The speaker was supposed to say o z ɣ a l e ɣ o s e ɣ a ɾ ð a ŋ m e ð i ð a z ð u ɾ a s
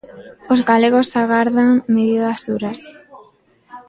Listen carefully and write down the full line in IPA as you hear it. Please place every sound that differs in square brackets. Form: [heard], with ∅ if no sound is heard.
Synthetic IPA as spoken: o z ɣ a l e ɣ o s [a] ɣ a ɾ ð a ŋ m e ð i ð a z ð u ɾ a s